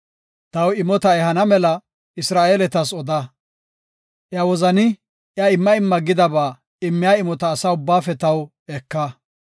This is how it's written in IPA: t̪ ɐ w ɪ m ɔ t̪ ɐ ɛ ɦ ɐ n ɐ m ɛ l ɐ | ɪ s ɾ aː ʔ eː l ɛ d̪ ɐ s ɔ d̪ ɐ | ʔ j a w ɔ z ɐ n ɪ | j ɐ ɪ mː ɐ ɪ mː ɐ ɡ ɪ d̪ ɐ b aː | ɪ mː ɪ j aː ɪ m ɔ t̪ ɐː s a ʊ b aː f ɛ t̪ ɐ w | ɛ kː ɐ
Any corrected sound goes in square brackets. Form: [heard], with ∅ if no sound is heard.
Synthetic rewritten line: t̪ ɐ w ɪ m ɔ t̪ ɐ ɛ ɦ ɐ n ɐ m ɛ l ɐ | ɪ s ɾ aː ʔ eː l ɛ [t̪] ɐ s ɔ d̪ ɐ | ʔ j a w ɔ z ɐ n ɪ | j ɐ ɪ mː ɐ ɪ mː ɐ ɡ ɪ d̪ ɐ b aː | ɪ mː ɪ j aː ɪ m ɔ t̪ ɐː s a ʊ [bː] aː f ɛ t̪ ɐ w | ɛ kː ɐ